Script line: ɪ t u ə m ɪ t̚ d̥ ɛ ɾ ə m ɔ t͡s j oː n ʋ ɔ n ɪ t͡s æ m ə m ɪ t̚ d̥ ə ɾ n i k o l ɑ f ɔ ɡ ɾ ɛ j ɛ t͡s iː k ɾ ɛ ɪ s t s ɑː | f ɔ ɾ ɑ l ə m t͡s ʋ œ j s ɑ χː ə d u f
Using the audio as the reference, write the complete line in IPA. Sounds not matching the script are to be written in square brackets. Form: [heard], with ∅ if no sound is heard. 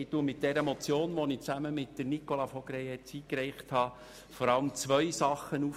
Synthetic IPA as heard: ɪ t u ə m ɪ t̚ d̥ ɛ ɾ ə m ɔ t͡s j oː n ʋ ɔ n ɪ t͡s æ m ə m ɪ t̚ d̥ ə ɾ n i k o l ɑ f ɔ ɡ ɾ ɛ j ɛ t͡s iː k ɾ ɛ ɪ [χ] t [h] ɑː | f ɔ ɾ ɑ l ə m t͡s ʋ œ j s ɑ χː ə [n] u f